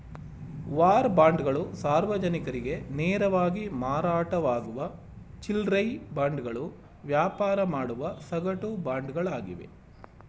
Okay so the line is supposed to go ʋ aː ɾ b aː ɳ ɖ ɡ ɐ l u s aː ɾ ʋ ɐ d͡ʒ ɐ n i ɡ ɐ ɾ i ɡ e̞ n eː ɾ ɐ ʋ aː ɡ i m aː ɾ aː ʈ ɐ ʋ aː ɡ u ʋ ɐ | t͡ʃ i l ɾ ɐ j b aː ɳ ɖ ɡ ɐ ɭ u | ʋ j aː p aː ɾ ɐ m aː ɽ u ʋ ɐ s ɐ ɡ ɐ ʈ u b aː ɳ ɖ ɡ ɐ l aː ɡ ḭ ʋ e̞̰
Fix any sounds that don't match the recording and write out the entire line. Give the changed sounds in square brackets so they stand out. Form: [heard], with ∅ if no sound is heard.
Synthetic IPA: ʋ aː ɾ b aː ɳ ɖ ɡ ɐ [ɭ] u s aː ɾ ʋ ɐ d͡ʒ ɐ n i [k] ɐ ɾ i ɡ e̞ n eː ɾ ɐ ʋ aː ɡ i m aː ɾ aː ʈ ɐ ʋ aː ɡ u ʋ ɐ | t͡ʃ i l ɾ ɐ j b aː ɳ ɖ ɡ ɐ ɭ u | ʋ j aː p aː ɾ ɐ m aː ɽ u ʋ ɐ s ɐ ɡ ɐ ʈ u b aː ɳ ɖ ɡ ɐ [ɭ] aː ɡ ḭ ʋ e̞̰